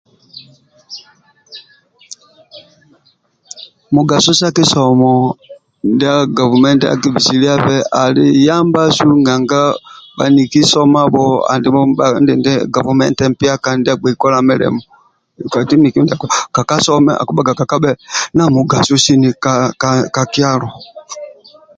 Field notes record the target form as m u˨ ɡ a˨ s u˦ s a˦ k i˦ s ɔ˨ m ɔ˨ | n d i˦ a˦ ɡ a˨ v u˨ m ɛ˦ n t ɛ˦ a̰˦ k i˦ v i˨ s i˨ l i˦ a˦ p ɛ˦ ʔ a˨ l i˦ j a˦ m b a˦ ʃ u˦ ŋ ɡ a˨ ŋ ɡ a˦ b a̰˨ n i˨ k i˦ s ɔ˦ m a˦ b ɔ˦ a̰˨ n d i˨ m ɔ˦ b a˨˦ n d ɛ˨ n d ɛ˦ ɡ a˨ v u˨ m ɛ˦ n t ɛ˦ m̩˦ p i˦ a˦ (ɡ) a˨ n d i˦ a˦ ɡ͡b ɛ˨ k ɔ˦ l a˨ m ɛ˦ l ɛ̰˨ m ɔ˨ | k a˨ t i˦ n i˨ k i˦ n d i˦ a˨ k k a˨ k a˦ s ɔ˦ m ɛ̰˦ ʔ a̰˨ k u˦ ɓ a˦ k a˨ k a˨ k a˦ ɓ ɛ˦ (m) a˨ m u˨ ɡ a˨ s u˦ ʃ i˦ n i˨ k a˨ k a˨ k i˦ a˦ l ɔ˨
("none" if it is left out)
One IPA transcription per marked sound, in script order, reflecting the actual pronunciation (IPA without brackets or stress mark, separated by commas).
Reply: k, n